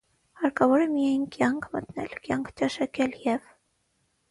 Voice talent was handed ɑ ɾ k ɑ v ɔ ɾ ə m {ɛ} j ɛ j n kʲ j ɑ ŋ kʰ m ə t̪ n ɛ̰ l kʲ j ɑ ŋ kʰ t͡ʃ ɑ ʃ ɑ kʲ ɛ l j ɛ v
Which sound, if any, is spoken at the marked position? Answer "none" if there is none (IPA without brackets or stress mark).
i